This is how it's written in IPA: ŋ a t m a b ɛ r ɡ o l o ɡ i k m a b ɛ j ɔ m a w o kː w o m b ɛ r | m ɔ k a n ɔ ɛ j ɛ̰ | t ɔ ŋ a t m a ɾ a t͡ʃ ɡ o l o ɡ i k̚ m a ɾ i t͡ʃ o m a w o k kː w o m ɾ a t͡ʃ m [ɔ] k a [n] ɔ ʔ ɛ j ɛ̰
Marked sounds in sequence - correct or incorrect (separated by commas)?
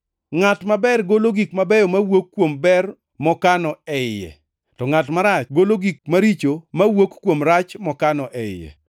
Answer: correct, correct